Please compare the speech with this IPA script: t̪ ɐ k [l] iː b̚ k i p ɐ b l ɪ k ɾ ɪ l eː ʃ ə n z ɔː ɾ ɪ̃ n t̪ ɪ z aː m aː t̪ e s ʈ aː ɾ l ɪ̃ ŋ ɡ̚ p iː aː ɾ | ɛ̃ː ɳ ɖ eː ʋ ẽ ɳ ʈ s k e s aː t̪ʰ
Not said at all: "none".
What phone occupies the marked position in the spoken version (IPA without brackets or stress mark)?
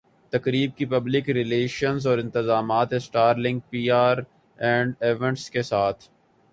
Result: ɾ